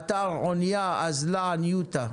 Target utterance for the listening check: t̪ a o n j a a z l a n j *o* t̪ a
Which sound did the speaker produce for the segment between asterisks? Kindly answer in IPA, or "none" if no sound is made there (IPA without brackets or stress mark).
u